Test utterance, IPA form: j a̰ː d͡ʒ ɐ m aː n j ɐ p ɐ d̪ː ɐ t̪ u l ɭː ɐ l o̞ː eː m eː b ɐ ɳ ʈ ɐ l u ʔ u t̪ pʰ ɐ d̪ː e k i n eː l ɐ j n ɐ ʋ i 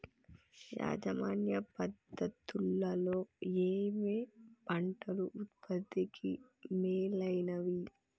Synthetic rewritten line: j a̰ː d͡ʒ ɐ m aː n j ɐ p ɐ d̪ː ɐ t̪ u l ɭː ɐ l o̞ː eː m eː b ɐ ɳ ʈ ɐ l u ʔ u t̪ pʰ ɐ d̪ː i k i m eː l ɐ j n ɐ ʋ i